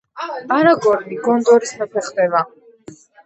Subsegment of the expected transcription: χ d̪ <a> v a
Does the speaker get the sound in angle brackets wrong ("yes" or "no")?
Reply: yes